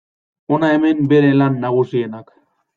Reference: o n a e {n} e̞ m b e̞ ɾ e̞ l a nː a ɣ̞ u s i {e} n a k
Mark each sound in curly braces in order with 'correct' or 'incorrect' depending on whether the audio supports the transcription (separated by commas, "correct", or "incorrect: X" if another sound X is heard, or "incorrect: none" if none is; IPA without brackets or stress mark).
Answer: incorrect: m, correct